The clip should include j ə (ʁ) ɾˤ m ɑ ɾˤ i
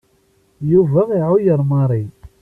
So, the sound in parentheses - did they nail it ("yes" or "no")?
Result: no